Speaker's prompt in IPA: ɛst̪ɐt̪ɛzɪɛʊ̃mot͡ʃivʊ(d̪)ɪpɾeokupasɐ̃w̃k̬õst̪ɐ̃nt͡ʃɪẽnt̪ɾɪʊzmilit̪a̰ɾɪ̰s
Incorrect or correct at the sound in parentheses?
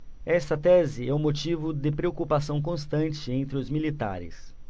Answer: correct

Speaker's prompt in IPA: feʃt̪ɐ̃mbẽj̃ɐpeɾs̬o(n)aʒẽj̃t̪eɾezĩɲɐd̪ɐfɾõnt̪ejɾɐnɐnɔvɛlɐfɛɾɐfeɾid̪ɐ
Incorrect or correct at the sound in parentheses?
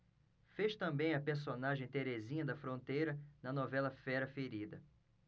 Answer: correct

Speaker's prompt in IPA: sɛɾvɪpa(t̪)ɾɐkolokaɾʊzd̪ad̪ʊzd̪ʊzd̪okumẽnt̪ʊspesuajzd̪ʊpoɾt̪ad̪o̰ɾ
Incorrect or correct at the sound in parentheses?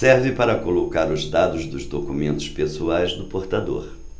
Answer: incorrect: none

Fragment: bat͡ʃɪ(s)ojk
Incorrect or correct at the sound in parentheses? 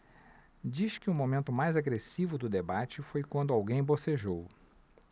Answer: incorrect: f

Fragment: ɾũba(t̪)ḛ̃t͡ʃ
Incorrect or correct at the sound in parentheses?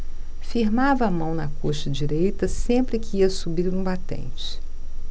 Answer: correct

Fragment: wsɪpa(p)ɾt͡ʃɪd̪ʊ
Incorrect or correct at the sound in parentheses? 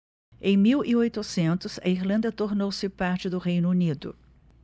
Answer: incorrect: none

